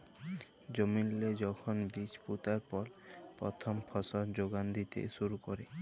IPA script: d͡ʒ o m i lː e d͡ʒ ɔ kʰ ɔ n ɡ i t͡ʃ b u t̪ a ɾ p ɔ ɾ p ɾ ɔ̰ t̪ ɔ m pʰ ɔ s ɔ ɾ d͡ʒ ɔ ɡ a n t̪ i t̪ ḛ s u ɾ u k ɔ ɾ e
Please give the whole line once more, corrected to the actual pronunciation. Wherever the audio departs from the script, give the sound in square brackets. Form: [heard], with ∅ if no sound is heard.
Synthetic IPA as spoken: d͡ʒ o m i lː e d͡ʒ ɔ kʰ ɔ n [b] i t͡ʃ [p] u t̪ a ɾ p ɔ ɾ p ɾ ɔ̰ [t̪ʰ] ɔ m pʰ ɔ s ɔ ɾ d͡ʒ [o] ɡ a n [d̪] i t̪ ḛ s u ɾ u k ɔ ɾ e